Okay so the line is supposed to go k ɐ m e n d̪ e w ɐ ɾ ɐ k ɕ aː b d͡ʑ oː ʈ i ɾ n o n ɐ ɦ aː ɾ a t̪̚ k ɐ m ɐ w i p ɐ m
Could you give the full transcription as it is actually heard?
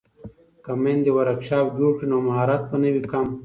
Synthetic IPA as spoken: k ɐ m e n d̪ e w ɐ ɾ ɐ k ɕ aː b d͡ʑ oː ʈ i n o m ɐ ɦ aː ɾ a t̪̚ p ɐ n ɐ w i k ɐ m